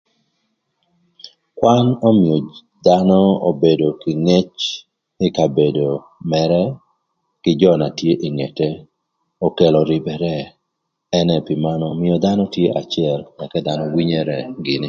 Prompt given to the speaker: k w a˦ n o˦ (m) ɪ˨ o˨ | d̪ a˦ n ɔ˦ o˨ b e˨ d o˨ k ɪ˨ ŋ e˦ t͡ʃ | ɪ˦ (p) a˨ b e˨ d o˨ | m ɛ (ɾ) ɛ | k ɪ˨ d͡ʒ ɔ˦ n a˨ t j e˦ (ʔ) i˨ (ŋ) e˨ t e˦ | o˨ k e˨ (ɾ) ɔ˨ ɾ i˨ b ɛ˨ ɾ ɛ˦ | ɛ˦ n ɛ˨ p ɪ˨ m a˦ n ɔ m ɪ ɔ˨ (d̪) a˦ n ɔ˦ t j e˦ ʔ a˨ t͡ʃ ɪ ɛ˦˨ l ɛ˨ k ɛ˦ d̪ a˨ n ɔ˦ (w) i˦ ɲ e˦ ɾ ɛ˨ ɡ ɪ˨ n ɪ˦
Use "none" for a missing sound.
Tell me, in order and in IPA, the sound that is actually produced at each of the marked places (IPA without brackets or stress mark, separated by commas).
m, k, ɾ, ʔ, ŋ, l, d̪, w